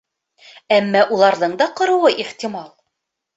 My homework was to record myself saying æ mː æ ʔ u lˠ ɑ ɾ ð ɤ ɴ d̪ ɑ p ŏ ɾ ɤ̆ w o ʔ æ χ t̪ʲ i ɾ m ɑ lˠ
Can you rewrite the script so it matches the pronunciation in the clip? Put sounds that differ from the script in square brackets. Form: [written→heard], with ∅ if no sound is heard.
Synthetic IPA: æ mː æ ʔ u lˠ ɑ ɾ ð ɤ ɴ d̪ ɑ [p→q] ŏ ɾ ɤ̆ w [o→ɤ] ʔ [æ→i] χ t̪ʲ i [ɾ→∅] m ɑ lˠ

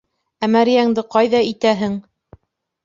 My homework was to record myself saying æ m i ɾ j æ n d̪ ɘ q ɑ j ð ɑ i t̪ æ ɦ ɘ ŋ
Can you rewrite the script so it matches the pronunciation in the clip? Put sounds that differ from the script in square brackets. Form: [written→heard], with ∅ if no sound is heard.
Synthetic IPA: æ m [i→æ] ɾ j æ [n→ŋ] d̪ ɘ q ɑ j ð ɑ i t̪ æ ɦ ɘ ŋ

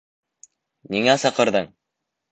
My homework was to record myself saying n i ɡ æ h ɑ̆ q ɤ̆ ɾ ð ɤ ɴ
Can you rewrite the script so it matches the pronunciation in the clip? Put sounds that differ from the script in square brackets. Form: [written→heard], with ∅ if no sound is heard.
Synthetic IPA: n i [ɡ→ŋ] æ [h→s] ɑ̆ q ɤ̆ ɾ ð ɤ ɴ

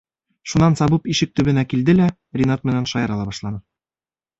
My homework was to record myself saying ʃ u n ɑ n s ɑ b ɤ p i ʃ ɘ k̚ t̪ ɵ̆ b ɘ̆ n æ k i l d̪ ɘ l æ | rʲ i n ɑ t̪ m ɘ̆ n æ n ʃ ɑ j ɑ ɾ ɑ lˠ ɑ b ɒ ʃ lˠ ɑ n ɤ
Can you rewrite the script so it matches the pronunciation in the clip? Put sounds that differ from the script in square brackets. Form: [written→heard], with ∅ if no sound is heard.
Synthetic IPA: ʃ u n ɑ n s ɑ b ɤ p i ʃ ɘ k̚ t̪ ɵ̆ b ɘ̆ n æ k i l d̪ ɘ l æ | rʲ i n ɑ t̪ m ɘ̆ n æ n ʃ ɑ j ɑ ɾ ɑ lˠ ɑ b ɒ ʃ lˠ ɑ n ɤ

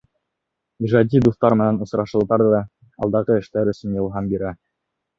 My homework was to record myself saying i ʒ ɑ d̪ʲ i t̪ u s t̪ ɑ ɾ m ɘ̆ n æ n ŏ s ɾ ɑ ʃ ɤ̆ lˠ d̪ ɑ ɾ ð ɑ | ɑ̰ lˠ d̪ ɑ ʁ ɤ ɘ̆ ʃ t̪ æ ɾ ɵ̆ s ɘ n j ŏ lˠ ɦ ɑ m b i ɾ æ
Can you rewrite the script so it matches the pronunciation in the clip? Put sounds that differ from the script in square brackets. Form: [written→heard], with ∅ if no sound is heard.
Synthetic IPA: i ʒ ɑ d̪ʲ i [t̪→d̪] u [s→θ] t̪ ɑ ɾ m ɘ̆ n æ n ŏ s ɾ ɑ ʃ ɤ̆ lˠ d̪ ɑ ɾ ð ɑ | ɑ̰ lˠ d̪ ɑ ʁ ɤ ɘ̆ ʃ t̪ æ ɾ ɵ̆ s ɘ n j [ŏ→ɤ̆] lˠ ɦ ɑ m b i ɾ æ

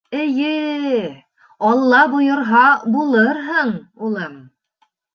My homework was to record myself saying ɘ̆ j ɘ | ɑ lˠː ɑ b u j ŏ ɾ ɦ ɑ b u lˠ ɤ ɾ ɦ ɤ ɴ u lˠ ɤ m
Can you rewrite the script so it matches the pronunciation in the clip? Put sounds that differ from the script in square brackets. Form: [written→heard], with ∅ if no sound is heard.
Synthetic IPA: ɘ̆ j ɘ | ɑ lˠː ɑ b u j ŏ ɾ ɦ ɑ b u lˠ ɤ ɾ ɦ ɤ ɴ u lˠ ɤ m

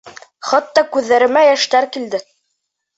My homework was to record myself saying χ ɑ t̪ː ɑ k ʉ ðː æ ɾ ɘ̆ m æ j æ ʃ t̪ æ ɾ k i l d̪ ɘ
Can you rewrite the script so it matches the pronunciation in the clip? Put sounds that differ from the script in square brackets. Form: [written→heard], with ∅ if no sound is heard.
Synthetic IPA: χ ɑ t̪ː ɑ k ʉ ðː æ ɾ ɘ̆ m æ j æ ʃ t̪ æ ɾ k i l d̪ ɘ

